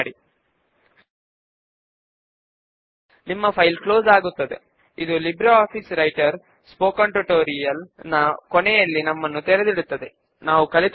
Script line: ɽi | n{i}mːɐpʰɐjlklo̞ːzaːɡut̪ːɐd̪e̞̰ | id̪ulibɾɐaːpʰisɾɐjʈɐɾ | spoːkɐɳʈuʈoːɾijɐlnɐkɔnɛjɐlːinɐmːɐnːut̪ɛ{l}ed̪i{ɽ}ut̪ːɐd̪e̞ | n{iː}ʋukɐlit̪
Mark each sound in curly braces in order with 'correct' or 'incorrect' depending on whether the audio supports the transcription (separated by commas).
correct, incorrect, correct, incorrect